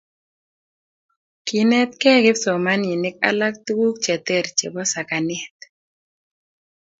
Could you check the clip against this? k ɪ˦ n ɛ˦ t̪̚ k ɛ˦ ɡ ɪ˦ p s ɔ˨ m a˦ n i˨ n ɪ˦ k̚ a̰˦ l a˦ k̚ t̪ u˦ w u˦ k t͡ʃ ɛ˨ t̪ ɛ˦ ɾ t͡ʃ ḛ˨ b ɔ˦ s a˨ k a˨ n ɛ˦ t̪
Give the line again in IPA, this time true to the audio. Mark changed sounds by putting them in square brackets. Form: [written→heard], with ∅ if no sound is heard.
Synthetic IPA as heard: k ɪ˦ n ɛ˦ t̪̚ k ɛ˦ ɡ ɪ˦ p s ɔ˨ m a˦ n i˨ n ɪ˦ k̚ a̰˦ l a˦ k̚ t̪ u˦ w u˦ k t͡ʃ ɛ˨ t̪ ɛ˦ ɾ t͡ʃ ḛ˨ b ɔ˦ s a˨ k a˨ n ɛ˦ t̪